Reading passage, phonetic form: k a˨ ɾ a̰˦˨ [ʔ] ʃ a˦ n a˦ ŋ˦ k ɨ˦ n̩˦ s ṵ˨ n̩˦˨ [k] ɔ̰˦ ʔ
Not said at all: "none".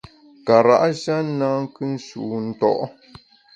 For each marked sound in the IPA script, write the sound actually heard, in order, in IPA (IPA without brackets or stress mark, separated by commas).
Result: ʔ, t